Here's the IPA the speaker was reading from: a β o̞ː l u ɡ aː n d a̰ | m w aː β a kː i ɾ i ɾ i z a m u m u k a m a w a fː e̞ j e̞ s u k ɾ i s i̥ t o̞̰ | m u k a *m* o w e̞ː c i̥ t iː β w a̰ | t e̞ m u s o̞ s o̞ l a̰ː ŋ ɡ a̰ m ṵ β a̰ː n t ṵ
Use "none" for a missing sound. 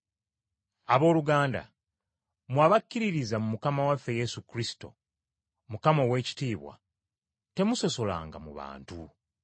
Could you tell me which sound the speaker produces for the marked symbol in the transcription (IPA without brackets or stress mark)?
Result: m